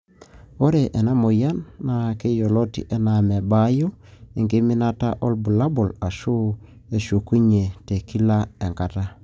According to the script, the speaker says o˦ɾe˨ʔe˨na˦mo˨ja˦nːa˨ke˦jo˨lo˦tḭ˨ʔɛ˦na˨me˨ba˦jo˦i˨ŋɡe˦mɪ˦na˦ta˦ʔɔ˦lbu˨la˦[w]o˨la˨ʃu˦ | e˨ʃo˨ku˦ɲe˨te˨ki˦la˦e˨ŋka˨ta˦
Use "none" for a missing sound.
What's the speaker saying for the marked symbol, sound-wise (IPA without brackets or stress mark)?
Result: b